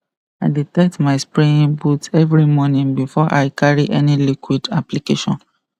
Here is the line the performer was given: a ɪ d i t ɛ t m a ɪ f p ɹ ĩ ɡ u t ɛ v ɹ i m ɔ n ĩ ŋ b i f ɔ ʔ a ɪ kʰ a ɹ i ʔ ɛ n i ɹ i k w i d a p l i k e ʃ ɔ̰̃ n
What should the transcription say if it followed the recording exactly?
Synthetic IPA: a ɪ d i t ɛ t m a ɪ s p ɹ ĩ b u t ɛ v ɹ i m ɔ n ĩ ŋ b i f ɔ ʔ a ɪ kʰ a ɹ i ʔ ɛ n i l i k w i d a p l i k e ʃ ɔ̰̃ n